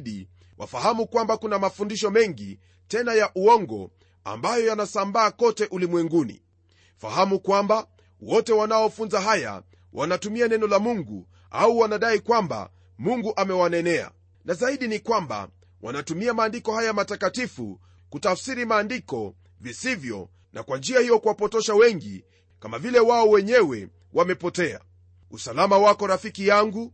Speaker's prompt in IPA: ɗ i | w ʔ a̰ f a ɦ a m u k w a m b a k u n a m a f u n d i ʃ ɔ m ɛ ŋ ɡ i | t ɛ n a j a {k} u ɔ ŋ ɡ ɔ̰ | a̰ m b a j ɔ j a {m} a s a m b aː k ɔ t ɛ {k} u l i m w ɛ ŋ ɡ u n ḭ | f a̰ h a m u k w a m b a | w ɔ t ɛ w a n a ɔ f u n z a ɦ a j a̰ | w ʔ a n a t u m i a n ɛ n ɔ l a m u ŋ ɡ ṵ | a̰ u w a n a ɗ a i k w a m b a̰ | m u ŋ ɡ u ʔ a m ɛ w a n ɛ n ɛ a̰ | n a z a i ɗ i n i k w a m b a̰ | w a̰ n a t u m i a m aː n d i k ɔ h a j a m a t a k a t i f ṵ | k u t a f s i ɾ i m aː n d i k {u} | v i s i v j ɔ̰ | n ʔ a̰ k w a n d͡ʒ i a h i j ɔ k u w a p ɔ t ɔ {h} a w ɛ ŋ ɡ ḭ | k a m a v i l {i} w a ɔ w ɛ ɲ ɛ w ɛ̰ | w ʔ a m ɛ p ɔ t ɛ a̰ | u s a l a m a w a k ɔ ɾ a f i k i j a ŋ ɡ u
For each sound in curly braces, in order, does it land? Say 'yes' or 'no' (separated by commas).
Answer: no, no, no, no, no, no